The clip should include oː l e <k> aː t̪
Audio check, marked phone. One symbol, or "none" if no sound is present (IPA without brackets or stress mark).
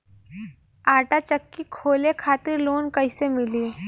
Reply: kʰ